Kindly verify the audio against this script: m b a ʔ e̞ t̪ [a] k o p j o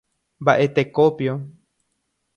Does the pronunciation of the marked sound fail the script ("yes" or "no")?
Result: yes